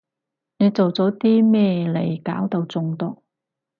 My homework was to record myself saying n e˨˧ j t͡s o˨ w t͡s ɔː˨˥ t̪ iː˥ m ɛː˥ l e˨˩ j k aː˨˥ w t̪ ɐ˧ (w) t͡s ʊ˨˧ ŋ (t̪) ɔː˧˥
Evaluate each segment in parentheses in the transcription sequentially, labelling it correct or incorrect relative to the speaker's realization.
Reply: correct, correct

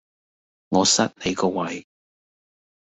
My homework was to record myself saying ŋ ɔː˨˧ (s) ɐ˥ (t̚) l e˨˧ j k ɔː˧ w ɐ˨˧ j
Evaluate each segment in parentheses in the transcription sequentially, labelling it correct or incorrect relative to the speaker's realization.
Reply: correct, correct

